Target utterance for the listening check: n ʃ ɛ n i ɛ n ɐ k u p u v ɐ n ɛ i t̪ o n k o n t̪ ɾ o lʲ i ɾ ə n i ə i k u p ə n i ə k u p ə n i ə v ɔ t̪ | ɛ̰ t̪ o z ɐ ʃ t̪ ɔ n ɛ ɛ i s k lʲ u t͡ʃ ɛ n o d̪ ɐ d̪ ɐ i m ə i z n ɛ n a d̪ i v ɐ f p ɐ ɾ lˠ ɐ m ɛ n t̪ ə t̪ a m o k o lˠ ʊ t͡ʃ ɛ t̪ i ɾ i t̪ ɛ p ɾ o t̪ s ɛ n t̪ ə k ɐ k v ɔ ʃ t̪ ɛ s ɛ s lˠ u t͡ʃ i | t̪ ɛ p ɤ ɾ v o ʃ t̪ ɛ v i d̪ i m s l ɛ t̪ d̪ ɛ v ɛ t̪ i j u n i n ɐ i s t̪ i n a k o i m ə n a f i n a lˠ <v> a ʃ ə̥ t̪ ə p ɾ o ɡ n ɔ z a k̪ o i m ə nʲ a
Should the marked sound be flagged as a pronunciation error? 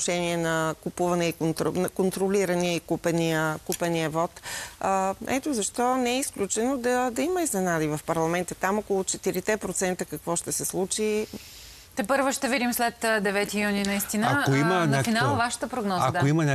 no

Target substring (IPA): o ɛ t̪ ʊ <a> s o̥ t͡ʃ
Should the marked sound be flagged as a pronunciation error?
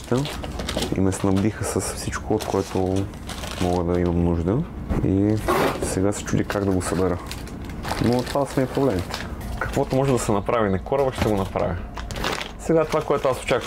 no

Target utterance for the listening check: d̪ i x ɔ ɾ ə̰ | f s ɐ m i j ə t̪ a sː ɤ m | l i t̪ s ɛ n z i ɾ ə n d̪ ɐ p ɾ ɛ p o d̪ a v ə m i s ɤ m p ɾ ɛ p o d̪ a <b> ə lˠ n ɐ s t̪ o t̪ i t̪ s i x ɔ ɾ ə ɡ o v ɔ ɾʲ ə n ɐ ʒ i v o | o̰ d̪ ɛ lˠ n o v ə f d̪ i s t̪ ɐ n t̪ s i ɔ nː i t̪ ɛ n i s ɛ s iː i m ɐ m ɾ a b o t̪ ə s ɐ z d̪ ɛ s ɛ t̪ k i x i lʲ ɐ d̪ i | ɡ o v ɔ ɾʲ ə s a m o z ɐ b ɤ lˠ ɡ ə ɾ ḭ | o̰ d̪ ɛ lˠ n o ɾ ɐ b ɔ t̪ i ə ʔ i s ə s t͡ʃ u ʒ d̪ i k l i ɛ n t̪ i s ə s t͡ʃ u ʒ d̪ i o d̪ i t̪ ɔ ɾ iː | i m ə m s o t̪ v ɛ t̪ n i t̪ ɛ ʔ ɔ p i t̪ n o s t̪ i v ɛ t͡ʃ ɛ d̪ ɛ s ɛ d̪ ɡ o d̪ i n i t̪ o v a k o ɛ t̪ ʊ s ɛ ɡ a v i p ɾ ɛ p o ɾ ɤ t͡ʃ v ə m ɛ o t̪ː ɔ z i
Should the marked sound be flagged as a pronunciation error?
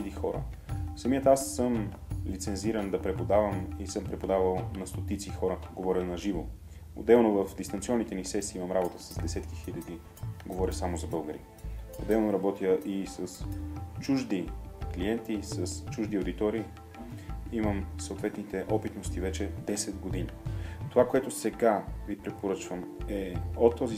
yes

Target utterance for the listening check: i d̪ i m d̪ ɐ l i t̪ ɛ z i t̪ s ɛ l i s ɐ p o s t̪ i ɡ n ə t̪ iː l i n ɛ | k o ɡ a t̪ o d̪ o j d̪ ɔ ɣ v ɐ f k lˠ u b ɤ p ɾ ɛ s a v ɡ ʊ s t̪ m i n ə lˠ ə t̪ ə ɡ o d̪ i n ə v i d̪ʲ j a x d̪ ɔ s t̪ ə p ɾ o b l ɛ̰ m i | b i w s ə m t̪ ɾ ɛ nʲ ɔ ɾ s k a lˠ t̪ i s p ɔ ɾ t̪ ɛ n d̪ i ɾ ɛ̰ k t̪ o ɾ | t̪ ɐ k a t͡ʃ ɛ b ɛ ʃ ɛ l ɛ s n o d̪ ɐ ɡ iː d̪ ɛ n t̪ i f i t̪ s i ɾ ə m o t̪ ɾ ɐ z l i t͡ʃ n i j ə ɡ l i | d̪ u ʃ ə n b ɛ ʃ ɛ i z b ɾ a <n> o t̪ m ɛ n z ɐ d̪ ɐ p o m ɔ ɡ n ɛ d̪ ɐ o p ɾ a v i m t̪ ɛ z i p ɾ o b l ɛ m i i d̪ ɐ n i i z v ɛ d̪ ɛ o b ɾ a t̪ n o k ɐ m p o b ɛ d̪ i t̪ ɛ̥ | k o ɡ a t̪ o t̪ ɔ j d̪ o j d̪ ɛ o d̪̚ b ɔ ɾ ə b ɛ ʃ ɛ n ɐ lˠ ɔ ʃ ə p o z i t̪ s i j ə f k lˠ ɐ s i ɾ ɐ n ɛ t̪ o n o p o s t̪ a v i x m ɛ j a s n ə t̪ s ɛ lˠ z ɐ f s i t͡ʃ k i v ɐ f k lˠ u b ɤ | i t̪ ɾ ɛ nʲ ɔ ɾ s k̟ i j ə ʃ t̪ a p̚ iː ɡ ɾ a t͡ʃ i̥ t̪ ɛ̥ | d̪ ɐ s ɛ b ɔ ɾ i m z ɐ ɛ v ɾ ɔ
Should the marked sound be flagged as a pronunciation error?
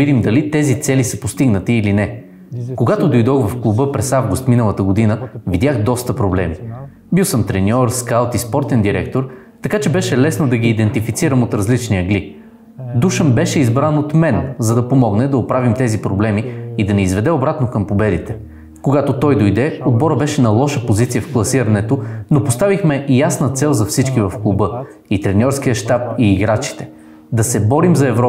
no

